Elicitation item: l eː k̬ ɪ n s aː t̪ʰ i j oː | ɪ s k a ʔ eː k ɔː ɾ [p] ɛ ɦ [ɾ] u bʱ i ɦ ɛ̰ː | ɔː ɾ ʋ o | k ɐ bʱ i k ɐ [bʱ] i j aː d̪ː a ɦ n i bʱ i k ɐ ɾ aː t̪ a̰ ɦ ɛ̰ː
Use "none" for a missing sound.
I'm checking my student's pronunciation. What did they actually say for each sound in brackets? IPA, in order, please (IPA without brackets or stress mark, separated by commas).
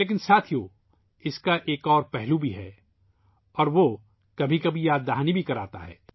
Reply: p, l, bʱ